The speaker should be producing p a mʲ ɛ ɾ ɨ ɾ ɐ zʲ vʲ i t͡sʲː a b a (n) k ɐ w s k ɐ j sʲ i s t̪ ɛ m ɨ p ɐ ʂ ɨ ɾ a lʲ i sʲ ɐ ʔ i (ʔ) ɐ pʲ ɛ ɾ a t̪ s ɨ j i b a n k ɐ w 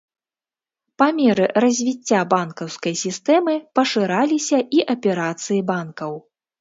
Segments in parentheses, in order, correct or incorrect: correct, correct

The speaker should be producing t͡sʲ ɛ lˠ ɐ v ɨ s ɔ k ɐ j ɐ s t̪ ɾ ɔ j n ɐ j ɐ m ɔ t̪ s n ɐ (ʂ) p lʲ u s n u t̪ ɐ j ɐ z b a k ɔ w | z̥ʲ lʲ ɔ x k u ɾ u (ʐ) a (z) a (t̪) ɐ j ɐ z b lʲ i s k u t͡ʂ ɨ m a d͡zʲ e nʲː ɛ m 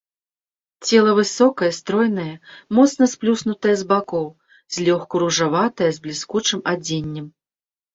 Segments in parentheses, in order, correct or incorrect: incorrect: s, correct, incorrect: v, correct

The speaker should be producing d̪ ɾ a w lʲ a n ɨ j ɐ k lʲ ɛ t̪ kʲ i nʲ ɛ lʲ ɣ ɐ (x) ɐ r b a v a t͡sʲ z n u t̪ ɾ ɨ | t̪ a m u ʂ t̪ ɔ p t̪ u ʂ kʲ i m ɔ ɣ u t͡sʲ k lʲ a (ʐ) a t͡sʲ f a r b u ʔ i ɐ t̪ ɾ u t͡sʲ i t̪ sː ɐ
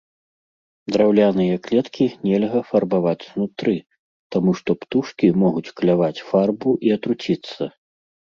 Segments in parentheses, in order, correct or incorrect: incorrect: f, incorrect: v

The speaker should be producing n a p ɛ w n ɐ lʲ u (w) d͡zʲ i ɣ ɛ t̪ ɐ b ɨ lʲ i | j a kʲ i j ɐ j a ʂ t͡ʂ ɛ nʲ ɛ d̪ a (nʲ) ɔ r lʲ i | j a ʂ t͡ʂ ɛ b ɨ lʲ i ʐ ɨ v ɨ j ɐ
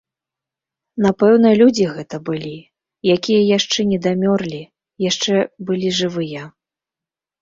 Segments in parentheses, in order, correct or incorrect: incorrect: none, incorrect: mʲ

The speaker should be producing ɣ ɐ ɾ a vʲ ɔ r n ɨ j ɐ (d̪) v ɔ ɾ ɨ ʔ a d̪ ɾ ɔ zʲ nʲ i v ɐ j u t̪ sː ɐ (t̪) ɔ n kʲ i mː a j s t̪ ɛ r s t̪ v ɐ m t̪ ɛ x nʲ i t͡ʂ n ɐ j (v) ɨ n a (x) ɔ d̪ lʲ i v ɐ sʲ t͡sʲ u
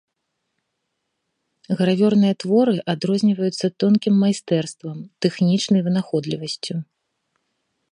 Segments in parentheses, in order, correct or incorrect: incorrect: t̪, correct, correct, correct

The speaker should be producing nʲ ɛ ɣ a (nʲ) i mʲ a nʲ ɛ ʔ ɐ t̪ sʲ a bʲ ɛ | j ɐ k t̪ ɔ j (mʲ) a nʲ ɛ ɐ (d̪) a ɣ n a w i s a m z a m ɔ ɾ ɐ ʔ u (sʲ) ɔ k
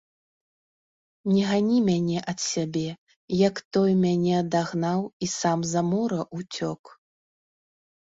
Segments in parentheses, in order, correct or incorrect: correct, correct, correct, incorrect: t͡sʲ

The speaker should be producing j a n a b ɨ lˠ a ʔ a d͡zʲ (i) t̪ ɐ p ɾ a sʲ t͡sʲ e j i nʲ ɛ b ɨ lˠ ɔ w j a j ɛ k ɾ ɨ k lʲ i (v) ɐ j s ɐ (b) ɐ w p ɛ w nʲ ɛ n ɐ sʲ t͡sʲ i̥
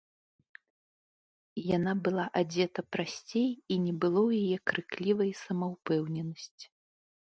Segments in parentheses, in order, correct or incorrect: incorrect: ɛ, correct, incorrect: m

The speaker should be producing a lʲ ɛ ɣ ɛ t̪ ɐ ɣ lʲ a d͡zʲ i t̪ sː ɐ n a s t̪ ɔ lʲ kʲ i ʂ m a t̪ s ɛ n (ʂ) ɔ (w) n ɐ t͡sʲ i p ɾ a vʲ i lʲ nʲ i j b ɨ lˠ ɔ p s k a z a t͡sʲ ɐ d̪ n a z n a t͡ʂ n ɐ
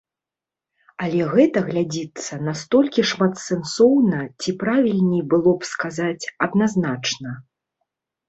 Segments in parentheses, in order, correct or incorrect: incorrect: s, correct

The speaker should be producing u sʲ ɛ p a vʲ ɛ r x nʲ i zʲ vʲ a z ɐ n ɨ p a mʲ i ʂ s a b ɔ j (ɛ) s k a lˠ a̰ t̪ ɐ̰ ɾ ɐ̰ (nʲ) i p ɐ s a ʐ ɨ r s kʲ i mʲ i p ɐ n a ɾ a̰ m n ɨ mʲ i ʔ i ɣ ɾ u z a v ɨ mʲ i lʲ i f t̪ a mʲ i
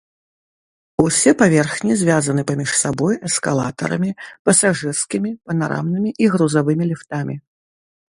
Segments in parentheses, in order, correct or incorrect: correct, incorrect: mʲ

